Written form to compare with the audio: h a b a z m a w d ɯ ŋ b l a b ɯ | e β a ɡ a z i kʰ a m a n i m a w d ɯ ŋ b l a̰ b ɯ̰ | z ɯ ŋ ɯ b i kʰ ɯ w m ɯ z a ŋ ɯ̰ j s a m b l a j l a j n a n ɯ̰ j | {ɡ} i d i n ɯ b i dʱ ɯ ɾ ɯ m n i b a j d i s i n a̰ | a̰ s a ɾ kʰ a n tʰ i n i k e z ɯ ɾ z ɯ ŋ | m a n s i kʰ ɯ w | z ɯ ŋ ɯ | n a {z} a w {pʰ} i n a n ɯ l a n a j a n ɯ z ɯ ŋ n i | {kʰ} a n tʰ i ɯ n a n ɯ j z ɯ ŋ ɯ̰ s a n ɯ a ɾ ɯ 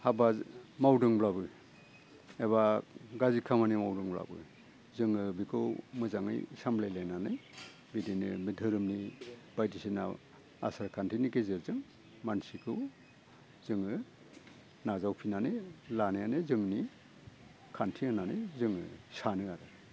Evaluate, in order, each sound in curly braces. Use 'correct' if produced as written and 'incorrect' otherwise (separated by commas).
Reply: incorrect, correct, correct, correct